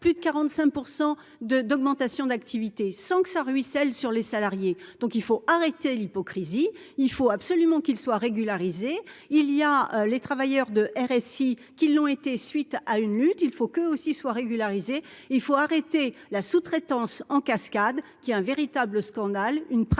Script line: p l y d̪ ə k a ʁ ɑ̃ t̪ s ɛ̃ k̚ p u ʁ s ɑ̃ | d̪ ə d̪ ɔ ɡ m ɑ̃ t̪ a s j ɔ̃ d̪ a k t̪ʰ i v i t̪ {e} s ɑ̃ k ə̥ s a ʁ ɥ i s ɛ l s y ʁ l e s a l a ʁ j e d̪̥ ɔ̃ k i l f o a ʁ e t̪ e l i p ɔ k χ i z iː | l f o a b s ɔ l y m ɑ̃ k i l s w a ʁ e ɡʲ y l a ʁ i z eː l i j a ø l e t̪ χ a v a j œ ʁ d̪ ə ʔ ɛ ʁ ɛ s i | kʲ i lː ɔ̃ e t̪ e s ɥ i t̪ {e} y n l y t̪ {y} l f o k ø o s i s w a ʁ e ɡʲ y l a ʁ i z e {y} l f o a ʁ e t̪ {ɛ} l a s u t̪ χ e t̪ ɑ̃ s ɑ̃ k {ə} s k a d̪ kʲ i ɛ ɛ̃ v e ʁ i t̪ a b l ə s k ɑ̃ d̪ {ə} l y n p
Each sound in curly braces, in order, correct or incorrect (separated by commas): correct, incorrect, incorrect, incorrect, incorrect, incorrect, incorrect